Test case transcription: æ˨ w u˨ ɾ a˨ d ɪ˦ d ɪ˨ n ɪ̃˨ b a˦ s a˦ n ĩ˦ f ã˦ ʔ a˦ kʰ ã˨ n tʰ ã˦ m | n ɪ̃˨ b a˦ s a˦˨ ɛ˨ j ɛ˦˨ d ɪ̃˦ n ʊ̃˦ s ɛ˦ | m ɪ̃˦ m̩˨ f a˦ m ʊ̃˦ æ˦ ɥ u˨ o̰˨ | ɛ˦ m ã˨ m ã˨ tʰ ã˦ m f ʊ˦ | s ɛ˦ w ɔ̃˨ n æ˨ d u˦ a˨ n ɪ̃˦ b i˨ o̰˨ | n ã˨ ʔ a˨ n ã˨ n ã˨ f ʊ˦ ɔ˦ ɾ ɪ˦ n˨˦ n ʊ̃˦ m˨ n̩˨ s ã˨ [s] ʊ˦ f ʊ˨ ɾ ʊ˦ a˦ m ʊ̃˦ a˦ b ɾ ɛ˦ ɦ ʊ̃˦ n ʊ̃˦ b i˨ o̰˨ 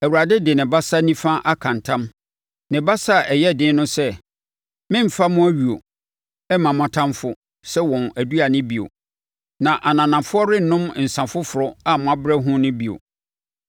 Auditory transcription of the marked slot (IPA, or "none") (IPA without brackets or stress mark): f